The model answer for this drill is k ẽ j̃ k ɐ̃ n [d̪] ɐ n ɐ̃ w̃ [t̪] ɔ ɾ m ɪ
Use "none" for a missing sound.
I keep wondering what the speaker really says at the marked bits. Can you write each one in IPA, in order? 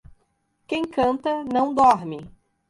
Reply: t̪, d̪

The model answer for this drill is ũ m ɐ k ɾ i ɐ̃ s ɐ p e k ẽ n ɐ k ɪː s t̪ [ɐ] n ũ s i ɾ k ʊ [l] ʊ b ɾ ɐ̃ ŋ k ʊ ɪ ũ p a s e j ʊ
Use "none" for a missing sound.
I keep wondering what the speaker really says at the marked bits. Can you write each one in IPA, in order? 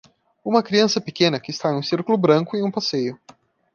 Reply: a, l

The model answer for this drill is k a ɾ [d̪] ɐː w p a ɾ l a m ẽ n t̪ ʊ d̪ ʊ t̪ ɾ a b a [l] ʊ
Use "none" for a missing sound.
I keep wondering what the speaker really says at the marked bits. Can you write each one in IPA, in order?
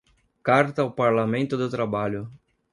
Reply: t̪, ʎ

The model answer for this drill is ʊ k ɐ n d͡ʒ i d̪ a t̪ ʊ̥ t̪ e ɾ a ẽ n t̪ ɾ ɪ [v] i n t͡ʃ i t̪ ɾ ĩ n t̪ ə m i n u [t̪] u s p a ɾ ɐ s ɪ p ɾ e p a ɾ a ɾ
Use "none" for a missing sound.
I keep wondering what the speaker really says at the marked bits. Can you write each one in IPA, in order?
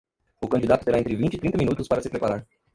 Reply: v, t̪

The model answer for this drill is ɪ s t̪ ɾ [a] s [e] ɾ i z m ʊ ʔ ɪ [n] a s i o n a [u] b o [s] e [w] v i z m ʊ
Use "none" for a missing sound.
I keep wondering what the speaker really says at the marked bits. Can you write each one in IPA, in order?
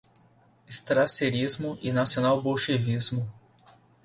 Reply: a, e, n, w, ʃ, none

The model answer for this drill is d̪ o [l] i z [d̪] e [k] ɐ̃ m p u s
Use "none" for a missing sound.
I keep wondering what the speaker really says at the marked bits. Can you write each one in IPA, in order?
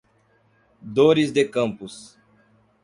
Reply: ɾ, d̪, k

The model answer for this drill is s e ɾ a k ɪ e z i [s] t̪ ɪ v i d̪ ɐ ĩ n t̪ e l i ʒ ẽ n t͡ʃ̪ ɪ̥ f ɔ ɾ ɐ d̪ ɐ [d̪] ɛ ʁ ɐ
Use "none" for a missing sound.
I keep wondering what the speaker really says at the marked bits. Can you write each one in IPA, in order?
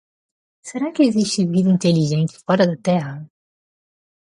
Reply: ʃ, t̪

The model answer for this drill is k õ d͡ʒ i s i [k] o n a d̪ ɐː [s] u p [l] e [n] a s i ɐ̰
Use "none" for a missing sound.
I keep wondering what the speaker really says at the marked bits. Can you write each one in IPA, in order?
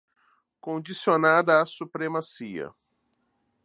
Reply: none, s, ɾ, m

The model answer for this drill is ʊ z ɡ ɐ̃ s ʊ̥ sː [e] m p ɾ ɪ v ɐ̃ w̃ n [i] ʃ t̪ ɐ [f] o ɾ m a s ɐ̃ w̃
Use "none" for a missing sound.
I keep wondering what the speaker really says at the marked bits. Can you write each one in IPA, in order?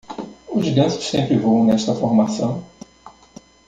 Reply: ẽ, ɛ, f

